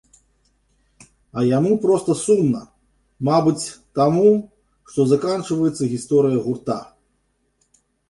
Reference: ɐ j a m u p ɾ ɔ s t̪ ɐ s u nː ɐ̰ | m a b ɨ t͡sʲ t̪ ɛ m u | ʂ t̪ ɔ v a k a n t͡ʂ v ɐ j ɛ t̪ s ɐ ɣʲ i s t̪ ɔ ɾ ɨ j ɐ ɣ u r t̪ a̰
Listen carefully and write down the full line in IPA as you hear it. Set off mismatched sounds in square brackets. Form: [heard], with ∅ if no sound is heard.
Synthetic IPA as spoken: ɐ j a m u p ɾ ɔ s t̪ ɐ s u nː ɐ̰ | m a b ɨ t͡sʲ t̪ [a] m u | ʂ t̪ ɔ [z] a k a n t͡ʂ v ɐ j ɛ t̪ s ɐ ɣʲ i s t̪ ɔ ɾ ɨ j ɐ ɣ u r t̪ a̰